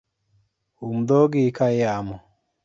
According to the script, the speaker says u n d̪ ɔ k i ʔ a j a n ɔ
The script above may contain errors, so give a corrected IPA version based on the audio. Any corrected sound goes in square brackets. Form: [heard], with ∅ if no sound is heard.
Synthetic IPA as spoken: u [m] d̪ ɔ [ɡ] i [k] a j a [m] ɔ